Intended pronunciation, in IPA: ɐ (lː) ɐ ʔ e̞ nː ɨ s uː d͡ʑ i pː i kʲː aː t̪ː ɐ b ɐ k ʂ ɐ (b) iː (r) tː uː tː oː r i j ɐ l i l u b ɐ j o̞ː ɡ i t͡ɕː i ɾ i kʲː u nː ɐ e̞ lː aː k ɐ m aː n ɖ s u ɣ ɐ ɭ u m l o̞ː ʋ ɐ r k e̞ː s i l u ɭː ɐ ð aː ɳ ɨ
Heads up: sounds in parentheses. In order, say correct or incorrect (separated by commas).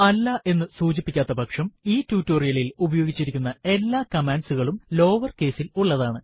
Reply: correct, incorrect, incorrect